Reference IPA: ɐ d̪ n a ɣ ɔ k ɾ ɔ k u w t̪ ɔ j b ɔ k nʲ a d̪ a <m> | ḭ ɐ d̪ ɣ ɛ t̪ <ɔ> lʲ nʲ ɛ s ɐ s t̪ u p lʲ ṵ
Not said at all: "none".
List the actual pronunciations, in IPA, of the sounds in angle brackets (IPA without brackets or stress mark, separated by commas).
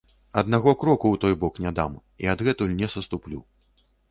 m, u